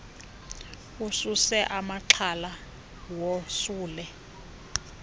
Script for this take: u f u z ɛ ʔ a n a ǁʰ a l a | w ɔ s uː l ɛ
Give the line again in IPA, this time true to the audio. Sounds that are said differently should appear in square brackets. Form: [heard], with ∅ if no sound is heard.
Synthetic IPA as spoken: u [s] u [s] ɛ ʔ a [m] a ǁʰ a l a | w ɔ s uː l ɛ